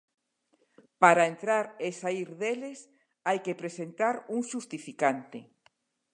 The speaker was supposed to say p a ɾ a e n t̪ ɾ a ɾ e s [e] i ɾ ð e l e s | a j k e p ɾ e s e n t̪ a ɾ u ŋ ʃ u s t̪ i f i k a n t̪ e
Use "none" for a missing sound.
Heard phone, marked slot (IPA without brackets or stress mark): a